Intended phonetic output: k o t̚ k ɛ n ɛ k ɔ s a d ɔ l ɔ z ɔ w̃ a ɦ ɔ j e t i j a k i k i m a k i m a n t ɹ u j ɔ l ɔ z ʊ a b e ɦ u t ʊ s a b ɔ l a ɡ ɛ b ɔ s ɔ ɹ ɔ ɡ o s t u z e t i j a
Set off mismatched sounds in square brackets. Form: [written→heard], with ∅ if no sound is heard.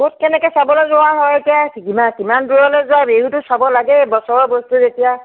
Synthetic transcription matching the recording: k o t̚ k ɛ n ɛ k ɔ s a [d→b] ɔ l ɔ z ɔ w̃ a ɦ ɔ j e t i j a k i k i m a k i m a n [t→d] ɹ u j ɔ l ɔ z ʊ a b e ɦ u t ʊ s a b ɔ l a ɡ ɛ b ɔ s ɔ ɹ ɔ [ɡ→b] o s t u z e t i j a